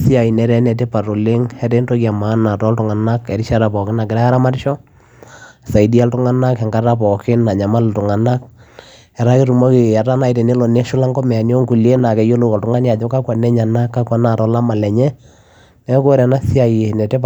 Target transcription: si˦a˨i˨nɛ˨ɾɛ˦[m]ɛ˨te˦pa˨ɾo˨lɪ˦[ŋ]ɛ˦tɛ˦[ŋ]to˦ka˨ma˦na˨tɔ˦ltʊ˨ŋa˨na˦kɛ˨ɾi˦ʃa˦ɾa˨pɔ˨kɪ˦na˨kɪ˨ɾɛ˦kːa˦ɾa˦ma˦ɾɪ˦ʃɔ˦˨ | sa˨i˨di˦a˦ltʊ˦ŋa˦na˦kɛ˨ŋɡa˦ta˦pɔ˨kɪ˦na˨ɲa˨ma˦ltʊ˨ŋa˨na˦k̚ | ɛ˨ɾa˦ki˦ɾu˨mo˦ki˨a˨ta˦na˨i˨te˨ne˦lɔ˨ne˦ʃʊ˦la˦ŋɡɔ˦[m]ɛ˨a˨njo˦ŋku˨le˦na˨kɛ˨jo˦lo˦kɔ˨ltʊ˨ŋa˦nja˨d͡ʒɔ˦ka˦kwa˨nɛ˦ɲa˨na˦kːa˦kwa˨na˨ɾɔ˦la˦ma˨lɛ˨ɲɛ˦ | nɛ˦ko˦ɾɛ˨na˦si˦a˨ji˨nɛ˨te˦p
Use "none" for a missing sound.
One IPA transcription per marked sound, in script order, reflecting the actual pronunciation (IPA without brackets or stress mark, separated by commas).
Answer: n, ŋ, n, m